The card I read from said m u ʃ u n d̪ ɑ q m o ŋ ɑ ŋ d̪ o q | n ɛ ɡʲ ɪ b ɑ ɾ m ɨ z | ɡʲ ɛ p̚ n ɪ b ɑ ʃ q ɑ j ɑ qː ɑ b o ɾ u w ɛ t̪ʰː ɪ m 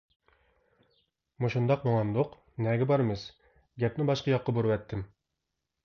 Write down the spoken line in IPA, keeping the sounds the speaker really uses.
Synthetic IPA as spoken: m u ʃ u n d̪ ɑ q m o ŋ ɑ n d̪ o q | n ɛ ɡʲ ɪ b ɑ ɾ m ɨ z | ɡʲ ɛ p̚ n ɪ b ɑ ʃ q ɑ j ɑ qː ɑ b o ɾ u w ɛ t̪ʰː ɪ m

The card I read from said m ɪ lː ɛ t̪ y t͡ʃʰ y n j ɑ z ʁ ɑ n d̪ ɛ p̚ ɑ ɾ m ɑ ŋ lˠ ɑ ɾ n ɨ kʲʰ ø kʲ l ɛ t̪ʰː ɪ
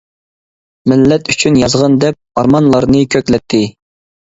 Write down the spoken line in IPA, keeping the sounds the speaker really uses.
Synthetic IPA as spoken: m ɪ lː ɛ t̪ y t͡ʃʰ y n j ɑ z ʁ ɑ n d̪ ɛ p̚ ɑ ɾ m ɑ n lˠ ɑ ɾ n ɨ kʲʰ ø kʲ l ɛ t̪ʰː ɪ

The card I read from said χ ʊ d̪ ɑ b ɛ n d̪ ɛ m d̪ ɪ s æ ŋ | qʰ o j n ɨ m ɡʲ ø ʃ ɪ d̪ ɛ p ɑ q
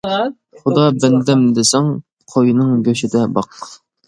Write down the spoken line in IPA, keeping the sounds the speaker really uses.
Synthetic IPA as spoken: χ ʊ d̪ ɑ b ɛ n d̪ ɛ m d̪ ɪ s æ ŋ | qʰ o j n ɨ ŋ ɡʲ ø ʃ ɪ d̪ ɛ b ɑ q

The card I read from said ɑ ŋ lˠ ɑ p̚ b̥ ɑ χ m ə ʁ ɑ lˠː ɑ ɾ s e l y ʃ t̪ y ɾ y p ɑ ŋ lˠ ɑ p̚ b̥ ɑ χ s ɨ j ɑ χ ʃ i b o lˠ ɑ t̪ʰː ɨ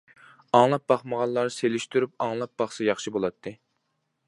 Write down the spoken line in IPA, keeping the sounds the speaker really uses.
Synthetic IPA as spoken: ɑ ŋ lˠ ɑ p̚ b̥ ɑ χ m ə ʁ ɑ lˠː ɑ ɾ s e l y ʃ t̪ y ɾ y p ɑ ŋ lˠ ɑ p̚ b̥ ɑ χ s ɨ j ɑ χ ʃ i b o lˠ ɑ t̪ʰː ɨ

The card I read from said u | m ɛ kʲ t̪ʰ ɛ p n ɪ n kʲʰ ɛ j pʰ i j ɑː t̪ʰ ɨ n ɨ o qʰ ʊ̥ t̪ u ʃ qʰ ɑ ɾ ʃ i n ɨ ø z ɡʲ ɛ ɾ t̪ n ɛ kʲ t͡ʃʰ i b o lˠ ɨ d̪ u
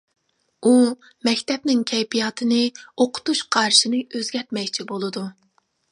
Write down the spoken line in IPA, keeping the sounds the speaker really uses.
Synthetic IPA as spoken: u | m ɛ kʲ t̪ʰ ɛ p n ɪ ŋ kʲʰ ɛ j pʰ i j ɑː t̪ʰ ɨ n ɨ o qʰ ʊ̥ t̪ u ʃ qʰ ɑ ɾ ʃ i n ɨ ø z ɡʲ ɛ ɾ t̪ m ɛ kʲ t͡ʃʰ i b o lˠ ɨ d̪ u

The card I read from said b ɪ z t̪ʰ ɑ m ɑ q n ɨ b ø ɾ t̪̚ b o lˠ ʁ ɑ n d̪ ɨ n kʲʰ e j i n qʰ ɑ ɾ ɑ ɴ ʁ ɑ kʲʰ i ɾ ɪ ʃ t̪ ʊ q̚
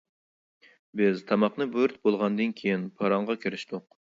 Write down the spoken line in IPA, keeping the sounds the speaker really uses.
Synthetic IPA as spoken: b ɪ z t̪ʰ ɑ m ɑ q n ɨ b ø ɾ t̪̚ b o lˠ ʁ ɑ n d̪ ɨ n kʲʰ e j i n pʰ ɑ ɾ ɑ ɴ ʁ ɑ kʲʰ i ɾ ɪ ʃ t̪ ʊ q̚

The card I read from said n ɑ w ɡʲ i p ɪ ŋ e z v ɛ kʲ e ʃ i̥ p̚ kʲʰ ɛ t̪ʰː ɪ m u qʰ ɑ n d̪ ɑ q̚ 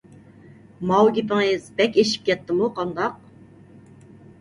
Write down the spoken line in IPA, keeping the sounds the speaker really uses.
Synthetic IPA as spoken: m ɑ w ɡʲ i p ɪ ŋ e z b ɛ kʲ e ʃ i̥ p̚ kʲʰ ɛ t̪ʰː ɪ m u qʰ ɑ n d̪ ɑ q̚

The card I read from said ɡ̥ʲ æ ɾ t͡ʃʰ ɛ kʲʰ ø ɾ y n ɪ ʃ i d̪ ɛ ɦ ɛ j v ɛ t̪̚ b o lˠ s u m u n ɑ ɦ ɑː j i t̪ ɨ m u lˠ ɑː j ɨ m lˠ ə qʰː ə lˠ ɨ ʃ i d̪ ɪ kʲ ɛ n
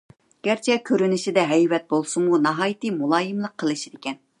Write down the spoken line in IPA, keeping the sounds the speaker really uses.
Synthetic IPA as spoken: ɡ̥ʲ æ ɾ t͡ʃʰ ɛ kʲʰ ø ɾ y n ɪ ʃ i d̪ ɛ ɦ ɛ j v ɛ t̪̚ b o lˠ s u m u n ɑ ɦ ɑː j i t̪ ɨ m u lˠ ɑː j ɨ m lˠ ə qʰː ə lˠ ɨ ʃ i d̪ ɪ kʲ ɛ n

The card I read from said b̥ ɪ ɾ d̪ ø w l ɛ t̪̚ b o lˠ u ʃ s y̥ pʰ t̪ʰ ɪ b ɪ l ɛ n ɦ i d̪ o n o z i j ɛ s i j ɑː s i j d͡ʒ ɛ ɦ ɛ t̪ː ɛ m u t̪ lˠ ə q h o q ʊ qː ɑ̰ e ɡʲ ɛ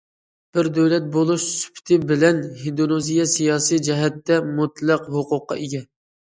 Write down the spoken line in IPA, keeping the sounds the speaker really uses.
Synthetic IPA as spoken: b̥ ɪ ɾ d̪ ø w l ɛ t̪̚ b o lˠ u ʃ s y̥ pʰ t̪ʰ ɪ b ɪ l ɛ n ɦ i d̪ o n o z i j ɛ s i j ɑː s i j d͡ʒ ɛ ɦ ɛ t̪ː ɛ m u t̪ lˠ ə q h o q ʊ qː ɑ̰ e ɡʲ ɛ

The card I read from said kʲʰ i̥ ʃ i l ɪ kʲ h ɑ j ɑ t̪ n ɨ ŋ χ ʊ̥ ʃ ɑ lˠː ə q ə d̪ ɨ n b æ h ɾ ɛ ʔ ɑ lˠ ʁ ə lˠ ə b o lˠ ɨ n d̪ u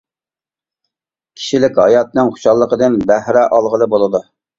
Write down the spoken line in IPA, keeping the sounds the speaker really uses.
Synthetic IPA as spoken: kʲʰ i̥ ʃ i l ɪ kʲ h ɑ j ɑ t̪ n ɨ ŋ χ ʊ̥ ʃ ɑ lˠː ə q ə d̪ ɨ n b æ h ɾ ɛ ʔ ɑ lˠ ʁ ə lˠ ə b o lˠ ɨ d̪ u

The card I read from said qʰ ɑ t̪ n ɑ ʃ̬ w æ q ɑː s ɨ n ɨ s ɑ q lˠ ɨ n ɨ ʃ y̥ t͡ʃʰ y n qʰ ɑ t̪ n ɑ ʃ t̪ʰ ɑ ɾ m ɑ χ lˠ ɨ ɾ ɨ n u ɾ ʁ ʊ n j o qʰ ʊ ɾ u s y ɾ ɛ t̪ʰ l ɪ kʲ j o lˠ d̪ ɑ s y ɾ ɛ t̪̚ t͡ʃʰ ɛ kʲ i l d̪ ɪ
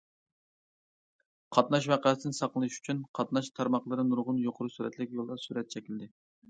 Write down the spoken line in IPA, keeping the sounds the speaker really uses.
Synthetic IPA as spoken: qʰ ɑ t̪ n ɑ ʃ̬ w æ q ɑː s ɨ n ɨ s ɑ q lˠ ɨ n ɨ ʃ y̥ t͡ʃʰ y n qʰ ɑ t̪ n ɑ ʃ t̪ʰ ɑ ɾ m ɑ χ lˠ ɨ ɾ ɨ n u ɾ ʁ ʊ n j o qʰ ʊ ɾ u s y ɾ ɛ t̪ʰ l ɪ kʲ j o lˠ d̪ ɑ s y ɾ ɛ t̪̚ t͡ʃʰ ɛ kʲ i l d̪ ɪ

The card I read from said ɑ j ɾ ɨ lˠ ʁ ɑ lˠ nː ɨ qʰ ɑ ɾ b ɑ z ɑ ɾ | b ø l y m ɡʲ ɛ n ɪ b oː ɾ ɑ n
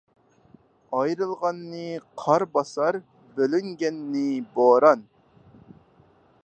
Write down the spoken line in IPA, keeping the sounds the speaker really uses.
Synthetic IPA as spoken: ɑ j ɾ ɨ lˠ ʁ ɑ nː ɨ qʰ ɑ ɾ b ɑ s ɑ ɾ | b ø l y ŋ ɡʲ ɛ nː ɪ b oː ɾ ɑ n

